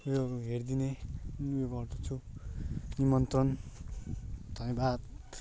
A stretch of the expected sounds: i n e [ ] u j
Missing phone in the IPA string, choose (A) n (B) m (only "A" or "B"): A